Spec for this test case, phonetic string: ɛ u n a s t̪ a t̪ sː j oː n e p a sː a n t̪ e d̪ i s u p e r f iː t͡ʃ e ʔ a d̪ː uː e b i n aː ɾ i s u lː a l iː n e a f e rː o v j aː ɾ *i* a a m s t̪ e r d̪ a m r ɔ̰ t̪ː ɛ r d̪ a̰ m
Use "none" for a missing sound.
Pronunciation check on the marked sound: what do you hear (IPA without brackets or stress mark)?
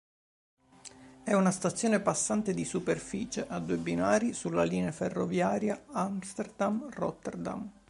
j